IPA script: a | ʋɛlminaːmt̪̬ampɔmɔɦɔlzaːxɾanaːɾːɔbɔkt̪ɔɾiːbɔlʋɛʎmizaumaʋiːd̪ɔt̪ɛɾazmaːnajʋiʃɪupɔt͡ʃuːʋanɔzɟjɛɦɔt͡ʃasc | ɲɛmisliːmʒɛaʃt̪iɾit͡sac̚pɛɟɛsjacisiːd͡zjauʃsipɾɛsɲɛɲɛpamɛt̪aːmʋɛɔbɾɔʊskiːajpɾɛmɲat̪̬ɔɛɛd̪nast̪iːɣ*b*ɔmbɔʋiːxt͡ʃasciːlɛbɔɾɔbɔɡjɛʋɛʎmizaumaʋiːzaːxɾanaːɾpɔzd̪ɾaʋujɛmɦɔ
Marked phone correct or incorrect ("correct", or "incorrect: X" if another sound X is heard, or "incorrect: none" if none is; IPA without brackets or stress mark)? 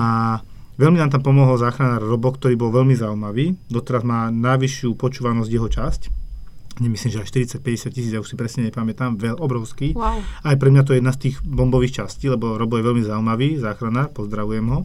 correct